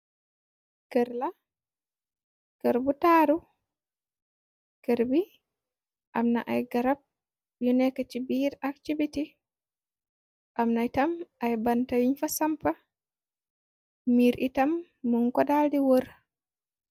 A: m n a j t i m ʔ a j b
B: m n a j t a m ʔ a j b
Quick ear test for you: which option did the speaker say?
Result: B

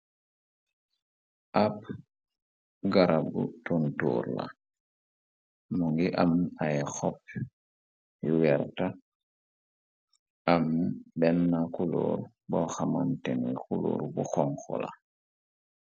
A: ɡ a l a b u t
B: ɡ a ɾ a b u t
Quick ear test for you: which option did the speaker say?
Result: B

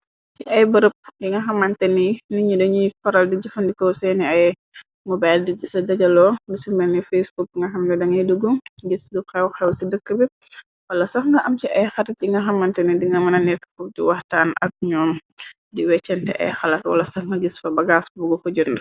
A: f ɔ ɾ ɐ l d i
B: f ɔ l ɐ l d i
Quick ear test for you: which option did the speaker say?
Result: A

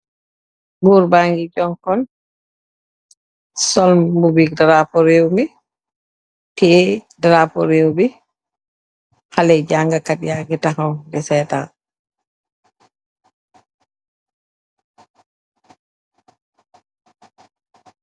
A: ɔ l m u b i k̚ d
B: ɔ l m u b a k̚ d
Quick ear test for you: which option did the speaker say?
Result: A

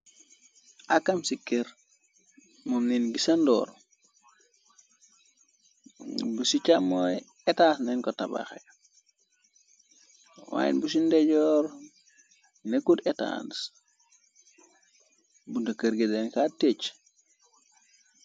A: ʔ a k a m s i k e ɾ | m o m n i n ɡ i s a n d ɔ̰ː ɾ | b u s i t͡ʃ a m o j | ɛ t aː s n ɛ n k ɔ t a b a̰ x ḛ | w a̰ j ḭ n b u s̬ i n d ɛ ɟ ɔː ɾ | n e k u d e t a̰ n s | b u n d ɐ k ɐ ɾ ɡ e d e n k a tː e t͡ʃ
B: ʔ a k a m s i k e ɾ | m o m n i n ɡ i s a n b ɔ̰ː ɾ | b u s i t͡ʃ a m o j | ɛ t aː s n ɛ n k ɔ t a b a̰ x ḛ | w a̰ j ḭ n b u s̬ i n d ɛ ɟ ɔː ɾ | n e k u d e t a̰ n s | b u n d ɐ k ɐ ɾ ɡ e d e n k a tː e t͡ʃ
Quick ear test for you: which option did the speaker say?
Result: A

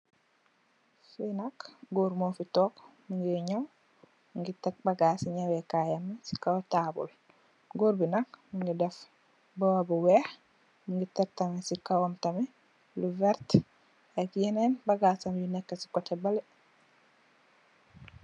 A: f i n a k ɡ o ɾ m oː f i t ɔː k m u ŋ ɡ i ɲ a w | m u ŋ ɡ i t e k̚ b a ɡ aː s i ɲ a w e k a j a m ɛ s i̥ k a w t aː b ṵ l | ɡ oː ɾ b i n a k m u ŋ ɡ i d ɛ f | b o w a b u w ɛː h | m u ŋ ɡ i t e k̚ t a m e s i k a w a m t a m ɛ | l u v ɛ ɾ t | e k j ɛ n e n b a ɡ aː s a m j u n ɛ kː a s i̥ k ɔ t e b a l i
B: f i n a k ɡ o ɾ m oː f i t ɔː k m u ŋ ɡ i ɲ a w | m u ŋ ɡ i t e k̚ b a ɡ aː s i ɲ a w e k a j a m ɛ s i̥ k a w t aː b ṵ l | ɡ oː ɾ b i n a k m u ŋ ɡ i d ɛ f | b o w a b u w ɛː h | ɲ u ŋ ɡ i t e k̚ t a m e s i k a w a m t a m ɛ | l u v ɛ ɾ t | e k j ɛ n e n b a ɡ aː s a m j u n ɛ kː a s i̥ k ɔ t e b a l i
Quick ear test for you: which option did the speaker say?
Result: A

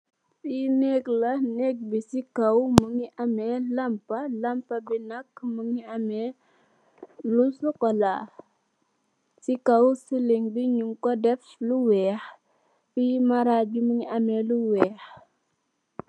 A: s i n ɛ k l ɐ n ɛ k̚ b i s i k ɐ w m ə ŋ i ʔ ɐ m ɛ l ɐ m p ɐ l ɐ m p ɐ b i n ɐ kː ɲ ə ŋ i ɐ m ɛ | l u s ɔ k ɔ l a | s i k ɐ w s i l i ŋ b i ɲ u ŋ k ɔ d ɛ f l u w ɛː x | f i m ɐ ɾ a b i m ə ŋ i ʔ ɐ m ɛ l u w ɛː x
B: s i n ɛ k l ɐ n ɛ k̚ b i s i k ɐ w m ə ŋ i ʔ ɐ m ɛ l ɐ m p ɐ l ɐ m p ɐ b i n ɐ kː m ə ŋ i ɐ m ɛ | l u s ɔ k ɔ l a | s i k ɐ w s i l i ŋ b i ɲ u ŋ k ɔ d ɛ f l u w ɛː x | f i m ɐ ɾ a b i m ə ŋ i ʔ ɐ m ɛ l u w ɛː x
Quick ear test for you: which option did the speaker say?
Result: B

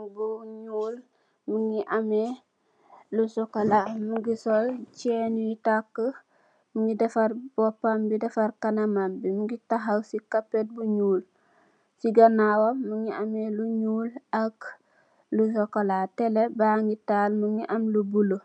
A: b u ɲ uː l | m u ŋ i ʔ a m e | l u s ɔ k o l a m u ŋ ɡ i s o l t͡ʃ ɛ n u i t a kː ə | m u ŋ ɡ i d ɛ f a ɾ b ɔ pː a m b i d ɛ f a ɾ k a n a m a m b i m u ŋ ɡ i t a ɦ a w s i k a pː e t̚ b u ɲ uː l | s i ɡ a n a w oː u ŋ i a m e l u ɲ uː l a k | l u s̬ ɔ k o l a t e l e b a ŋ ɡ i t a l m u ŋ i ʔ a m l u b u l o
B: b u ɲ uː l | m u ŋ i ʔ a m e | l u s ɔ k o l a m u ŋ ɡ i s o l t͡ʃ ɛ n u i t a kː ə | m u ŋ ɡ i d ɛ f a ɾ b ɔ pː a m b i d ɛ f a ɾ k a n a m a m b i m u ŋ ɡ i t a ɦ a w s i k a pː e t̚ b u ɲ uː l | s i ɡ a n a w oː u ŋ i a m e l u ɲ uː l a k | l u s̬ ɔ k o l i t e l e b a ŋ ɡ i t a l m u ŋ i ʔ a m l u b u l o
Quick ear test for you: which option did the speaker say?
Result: A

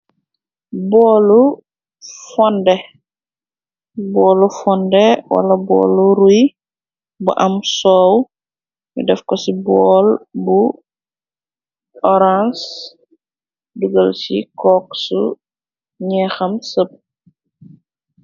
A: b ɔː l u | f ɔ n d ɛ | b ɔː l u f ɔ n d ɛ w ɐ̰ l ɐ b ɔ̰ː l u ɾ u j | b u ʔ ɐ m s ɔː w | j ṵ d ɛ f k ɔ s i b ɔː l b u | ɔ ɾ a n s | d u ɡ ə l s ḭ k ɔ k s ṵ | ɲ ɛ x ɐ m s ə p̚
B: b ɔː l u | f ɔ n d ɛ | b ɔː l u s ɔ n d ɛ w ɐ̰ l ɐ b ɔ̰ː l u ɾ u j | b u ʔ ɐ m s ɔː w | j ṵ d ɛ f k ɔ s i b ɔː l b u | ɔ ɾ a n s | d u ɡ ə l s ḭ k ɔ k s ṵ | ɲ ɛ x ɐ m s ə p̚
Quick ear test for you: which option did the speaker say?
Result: A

